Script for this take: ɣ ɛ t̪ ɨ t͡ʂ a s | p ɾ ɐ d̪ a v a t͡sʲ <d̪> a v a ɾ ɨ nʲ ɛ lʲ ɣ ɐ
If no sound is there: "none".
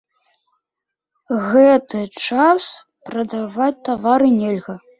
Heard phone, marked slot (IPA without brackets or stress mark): t̪